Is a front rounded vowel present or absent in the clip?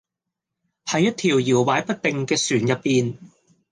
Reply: present